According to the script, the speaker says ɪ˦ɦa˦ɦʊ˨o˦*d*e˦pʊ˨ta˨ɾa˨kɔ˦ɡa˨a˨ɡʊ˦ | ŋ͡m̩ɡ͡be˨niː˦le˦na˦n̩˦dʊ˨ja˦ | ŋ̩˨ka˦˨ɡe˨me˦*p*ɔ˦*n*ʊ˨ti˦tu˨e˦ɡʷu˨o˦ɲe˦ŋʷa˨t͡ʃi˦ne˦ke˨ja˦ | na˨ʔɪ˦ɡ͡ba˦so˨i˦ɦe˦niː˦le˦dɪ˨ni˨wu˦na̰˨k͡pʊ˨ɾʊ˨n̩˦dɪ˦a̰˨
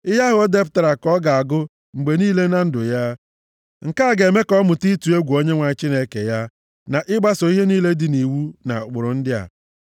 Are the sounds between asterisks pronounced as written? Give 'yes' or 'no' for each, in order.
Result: yes, no, no

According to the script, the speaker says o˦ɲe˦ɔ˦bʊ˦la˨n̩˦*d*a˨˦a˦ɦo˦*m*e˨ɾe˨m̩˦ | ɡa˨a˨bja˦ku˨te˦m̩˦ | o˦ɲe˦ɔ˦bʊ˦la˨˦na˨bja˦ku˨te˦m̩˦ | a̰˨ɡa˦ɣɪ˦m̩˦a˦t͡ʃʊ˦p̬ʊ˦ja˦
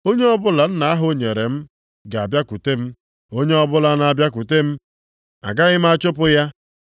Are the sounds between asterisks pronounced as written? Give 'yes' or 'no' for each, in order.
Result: no, no

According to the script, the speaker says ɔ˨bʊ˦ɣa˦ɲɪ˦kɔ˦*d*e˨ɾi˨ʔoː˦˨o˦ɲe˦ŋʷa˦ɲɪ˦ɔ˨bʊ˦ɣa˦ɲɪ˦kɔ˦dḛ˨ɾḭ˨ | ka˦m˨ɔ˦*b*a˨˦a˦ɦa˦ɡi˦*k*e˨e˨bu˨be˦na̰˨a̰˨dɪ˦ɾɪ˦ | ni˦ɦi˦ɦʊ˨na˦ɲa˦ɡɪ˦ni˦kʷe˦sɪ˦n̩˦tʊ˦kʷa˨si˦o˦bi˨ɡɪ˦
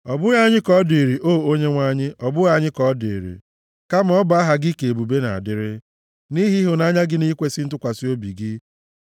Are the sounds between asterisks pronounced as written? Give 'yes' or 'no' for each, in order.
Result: yes, yes, yes

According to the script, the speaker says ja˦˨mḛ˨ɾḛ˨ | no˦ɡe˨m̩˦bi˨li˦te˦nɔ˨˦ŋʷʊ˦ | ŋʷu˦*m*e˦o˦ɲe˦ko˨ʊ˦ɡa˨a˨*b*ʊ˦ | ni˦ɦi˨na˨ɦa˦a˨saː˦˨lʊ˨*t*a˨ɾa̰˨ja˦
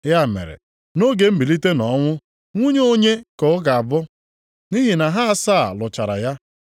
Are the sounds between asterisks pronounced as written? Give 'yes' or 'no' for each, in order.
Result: no, yes, no

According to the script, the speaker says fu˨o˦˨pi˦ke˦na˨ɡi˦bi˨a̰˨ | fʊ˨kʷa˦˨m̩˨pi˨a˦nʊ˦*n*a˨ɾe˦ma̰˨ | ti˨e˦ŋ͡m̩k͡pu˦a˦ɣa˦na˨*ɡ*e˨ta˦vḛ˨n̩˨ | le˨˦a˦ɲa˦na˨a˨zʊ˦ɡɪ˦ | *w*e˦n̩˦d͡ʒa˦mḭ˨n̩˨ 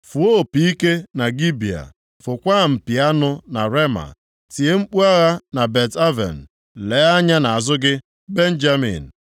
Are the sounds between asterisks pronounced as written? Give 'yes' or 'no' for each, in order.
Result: yes, no, no

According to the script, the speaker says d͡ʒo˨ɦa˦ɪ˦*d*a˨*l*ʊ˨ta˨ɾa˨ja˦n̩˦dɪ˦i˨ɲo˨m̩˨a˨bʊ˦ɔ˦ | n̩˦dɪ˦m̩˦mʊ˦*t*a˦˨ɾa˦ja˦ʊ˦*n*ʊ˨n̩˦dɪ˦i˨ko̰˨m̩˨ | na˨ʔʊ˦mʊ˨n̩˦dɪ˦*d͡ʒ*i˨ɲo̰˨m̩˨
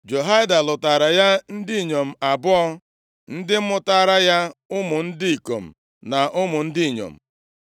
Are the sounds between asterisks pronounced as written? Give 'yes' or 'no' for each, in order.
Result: yes, yes, yes, no, no

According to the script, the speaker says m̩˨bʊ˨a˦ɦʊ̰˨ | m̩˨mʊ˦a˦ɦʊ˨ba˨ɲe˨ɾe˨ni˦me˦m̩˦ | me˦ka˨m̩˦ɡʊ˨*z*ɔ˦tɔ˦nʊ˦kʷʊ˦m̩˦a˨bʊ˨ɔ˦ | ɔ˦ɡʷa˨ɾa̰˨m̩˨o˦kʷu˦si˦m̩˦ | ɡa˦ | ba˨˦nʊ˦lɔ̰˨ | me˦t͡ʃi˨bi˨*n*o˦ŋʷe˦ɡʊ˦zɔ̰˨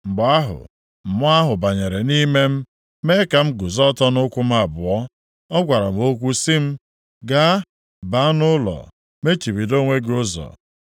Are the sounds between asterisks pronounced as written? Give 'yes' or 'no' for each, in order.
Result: yes, no

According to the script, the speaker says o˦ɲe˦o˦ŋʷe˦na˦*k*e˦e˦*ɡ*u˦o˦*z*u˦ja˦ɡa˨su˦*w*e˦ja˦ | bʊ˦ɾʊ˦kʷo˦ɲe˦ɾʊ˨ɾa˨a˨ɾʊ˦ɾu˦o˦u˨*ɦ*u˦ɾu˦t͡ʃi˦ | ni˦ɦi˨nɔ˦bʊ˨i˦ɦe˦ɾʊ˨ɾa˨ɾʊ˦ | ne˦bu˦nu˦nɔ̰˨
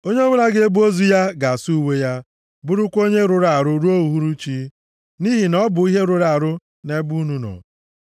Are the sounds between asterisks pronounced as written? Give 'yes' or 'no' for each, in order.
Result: no, no, yes, yes, yes

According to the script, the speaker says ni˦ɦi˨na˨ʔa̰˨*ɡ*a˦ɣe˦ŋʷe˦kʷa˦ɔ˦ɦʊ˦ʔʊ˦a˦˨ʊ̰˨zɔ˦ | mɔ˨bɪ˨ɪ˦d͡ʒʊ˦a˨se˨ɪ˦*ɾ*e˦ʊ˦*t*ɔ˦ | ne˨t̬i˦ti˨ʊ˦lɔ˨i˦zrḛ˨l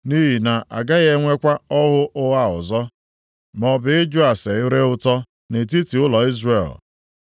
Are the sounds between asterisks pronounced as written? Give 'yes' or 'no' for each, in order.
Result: yes, yes, yes

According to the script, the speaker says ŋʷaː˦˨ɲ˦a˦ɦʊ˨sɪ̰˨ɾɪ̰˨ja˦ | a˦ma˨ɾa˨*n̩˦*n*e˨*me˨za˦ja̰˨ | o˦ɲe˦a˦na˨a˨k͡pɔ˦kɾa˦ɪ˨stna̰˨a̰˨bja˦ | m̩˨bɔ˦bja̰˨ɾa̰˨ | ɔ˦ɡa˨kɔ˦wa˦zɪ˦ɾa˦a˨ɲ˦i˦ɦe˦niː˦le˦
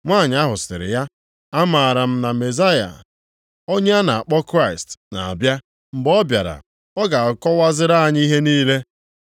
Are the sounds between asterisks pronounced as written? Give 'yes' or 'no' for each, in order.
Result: no, no

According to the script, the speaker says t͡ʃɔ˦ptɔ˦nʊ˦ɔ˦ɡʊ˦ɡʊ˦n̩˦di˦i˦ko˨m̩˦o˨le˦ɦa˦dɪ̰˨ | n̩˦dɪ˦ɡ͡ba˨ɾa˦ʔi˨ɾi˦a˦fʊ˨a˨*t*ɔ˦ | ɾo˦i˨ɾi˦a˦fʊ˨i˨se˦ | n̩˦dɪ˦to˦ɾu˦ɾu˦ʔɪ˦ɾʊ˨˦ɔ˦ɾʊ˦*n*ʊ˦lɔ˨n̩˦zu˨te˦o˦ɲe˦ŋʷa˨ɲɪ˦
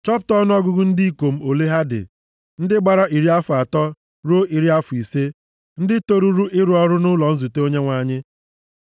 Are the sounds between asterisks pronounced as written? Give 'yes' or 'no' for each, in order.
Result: yes, yes

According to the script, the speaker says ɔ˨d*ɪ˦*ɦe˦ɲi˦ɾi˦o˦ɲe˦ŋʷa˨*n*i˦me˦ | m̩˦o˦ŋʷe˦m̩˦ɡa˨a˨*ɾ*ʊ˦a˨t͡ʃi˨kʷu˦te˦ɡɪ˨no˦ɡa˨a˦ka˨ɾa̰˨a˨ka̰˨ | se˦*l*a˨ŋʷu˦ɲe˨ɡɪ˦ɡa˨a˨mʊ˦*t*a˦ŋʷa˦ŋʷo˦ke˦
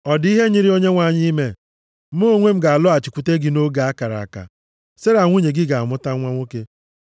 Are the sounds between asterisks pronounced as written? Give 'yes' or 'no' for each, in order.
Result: no, no, no, no, yes

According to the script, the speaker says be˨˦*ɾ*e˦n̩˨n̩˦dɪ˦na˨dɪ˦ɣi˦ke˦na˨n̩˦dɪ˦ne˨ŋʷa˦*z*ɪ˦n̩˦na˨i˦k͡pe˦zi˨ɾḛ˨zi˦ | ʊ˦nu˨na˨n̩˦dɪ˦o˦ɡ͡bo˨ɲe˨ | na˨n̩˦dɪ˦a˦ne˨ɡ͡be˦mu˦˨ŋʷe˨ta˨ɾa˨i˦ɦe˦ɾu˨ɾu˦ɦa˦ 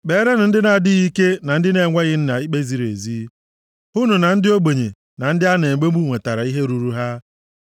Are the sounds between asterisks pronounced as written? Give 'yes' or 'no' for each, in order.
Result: yes, no

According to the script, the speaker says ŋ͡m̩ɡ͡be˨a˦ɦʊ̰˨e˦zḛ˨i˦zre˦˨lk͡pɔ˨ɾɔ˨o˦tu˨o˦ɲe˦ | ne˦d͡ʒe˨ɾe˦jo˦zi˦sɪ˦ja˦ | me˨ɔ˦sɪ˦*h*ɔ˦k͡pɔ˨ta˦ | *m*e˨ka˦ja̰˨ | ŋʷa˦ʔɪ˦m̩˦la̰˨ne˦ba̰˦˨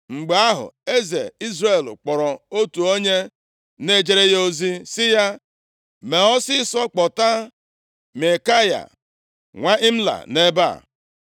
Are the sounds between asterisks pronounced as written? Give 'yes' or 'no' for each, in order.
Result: no, yes

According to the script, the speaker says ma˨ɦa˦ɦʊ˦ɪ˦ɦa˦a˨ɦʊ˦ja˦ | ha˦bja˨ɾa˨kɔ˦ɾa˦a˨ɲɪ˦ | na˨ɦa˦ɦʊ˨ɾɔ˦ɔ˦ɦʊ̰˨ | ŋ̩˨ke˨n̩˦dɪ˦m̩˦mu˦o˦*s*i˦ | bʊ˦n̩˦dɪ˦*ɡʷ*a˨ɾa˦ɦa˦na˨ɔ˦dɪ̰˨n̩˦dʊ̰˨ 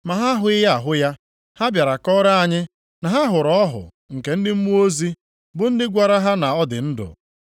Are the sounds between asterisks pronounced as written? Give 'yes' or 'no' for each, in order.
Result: no, yes

